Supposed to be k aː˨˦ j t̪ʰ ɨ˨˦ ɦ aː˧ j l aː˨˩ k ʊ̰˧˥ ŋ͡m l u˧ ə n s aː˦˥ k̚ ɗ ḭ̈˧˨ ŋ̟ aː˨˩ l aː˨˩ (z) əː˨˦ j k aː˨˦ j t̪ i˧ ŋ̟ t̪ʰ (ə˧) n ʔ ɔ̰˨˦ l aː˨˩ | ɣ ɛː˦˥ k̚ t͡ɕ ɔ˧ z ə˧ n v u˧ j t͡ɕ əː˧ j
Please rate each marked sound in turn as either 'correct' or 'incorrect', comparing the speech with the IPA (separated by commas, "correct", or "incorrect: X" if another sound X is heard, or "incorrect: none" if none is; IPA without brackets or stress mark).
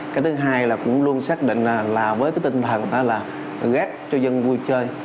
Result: incorrect: v, incorrect: ə˨˩